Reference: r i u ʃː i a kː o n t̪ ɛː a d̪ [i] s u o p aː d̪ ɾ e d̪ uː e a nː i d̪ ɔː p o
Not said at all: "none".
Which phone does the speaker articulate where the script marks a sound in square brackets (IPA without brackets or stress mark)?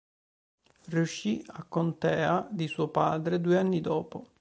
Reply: i